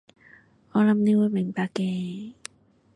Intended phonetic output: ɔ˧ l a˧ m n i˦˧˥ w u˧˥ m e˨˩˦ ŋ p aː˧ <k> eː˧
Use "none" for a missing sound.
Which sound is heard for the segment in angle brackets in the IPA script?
k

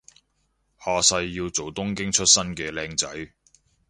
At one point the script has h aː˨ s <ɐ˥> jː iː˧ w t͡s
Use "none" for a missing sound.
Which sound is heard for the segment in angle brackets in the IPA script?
ɐ˧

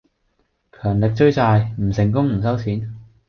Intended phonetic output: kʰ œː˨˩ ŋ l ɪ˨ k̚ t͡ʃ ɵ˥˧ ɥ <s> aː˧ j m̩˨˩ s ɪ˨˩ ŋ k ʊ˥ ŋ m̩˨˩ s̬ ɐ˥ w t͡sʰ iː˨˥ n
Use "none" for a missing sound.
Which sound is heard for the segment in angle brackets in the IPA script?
t͡s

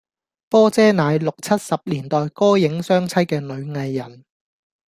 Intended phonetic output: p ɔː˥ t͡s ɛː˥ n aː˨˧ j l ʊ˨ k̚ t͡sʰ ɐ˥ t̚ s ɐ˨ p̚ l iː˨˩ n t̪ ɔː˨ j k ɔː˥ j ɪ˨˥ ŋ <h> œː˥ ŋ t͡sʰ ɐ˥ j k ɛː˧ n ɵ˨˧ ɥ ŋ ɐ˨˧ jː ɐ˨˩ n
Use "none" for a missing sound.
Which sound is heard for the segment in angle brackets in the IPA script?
s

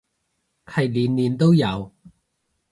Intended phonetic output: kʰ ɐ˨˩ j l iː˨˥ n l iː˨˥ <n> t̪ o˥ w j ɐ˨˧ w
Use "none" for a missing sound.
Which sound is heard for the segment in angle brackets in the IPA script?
n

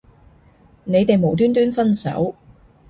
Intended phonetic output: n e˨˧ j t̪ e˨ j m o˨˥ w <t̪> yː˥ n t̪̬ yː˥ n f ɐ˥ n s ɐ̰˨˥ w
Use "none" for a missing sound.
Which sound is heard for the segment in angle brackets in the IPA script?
t̪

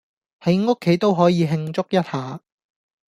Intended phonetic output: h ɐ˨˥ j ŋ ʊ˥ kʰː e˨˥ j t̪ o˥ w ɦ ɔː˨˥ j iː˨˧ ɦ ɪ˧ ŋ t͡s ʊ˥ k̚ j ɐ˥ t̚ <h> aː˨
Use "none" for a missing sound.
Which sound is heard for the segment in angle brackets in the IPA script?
h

